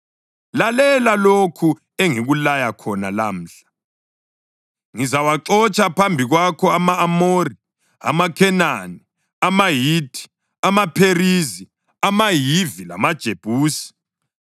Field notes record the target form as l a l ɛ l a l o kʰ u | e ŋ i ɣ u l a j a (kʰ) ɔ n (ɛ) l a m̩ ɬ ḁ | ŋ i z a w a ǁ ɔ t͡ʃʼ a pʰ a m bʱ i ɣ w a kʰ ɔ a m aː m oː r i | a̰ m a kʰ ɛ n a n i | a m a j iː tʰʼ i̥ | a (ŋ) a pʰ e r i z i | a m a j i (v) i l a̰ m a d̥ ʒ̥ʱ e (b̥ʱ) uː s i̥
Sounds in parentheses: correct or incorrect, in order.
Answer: correct, incorrect, incorrect, correct, correct

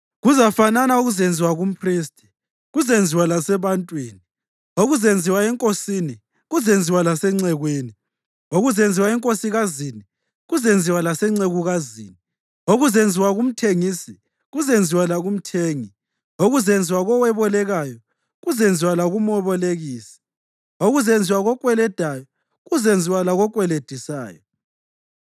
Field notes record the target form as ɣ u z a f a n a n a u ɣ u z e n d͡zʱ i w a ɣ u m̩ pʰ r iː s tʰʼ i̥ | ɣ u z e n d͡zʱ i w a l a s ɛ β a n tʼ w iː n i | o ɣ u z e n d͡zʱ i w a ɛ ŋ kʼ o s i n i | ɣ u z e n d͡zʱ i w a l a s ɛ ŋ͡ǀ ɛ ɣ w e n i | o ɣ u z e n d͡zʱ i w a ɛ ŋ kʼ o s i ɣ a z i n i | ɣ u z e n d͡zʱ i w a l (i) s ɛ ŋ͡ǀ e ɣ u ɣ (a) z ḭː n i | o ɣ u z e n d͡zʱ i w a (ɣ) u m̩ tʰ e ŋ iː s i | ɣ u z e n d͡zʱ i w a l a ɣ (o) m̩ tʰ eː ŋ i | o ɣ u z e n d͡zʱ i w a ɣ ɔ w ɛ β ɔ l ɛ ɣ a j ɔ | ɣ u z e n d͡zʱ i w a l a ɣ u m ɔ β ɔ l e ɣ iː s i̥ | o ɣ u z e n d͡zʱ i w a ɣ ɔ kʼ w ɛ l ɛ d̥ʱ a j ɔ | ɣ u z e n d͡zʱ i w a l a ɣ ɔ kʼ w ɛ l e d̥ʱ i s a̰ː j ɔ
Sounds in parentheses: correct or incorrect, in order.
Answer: incorrect, correct, correct, incorrect

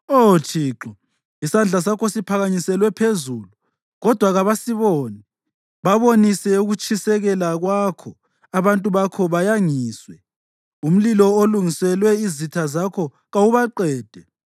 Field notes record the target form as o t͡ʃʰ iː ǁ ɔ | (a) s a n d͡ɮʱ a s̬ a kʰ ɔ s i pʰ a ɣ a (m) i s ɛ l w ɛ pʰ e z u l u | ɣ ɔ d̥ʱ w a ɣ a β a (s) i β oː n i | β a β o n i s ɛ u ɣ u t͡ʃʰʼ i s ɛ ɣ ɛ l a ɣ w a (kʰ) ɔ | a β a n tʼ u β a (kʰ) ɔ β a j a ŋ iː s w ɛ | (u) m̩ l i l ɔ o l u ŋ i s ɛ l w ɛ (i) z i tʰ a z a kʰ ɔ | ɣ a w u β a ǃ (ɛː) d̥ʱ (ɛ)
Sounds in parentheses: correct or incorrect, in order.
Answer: incorrect, incorrect, correct, correct, correct, correct, correct, correct, correct

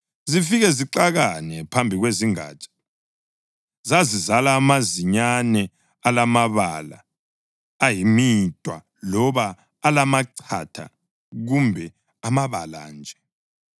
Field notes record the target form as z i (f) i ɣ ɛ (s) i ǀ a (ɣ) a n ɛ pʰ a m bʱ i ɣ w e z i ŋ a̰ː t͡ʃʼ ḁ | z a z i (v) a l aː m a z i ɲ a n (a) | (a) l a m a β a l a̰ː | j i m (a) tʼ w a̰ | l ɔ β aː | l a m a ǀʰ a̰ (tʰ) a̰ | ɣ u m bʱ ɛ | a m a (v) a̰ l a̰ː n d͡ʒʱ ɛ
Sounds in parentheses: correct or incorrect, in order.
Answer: correct, incorrect, correct, incorrect, incorrect, correct, incorrect, correct, incorrect

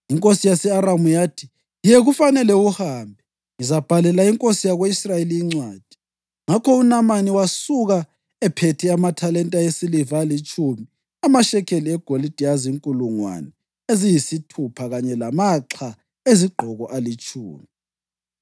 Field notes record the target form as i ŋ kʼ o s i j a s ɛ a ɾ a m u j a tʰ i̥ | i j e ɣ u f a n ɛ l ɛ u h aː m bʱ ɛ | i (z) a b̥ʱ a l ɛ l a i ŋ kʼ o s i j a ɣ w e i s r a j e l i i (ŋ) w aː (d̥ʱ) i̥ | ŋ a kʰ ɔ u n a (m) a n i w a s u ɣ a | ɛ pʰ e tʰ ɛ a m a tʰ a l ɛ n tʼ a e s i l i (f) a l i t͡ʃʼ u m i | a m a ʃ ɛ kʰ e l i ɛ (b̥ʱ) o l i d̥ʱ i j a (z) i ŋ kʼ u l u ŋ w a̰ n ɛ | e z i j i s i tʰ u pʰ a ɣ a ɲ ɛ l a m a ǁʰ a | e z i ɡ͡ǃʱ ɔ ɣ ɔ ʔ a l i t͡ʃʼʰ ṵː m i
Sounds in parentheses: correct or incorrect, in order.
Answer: correct, incorrect, correct, correct, incorrect, incorrect, correct

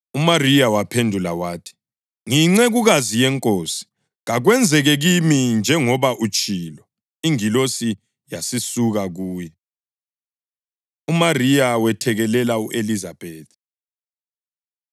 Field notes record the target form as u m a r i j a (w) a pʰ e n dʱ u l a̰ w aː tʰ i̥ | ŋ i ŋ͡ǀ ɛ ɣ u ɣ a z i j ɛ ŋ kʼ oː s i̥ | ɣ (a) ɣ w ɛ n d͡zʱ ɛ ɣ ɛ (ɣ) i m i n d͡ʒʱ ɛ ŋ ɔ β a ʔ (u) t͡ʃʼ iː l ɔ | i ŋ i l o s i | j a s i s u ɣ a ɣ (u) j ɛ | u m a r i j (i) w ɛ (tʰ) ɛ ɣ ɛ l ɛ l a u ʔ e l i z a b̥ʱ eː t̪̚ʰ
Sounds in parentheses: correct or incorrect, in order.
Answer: correct, correct, correct, correct, incorrect, incorrect, correct

